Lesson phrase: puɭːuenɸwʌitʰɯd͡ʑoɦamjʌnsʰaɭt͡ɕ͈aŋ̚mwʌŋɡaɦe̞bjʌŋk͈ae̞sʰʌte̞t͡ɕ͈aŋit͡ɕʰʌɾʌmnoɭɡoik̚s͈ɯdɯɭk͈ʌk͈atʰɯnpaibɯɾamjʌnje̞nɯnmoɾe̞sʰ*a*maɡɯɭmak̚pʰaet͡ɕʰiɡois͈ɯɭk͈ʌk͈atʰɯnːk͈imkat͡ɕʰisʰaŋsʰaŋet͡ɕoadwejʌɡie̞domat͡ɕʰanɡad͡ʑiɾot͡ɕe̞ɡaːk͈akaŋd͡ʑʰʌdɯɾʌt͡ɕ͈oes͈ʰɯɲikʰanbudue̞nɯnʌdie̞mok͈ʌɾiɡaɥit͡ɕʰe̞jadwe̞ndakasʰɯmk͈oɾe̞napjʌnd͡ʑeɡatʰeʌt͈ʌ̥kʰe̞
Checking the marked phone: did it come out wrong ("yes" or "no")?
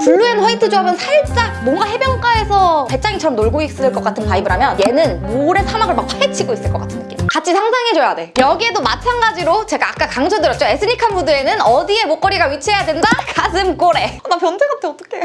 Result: no